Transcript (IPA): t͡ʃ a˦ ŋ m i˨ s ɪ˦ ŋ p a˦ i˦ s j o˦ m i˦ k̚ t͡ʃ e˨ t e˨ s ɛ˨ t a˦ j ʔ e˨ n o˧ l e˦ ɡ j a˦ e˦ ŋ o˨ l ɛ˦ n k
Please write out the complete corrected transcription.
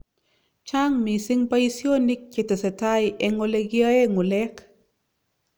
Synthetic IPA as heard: t͡ʃ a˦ ŋ m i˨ s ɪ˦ ŋ p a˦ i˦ s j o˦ n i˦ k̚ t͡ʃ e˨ t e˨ s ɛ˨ t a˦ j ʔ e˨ ŋ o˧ l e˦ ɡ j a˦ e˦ ŋ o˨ l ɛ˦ k